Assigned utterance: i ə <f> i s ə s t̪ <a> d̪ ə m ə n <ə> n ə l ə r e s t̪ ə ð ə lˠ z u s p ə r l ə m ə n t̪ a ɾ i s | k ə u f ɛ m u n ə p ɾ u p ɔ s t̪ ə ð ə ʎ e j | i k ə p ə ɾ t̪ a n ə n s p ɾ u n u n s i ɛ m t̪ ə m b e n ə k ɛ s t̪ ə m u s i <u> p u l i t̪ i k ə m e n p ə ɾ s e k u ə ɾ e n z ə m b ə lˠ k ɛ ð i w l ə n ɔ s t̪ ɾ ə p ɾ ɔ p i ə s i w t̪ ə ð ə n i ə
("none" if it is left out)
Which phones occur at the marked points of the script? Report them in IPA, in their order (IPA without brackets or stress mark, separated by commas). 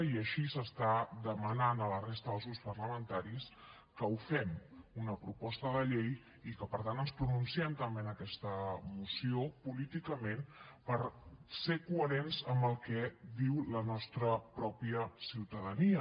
ʃ, a, a, o